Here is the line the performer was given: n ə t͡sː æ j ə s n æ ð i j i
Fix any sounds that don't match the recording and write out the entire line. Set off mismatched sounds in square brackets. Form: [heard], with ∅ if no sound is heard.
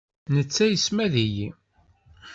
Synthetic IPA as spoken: n ə t͡sː æ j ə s [m] æ ð i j i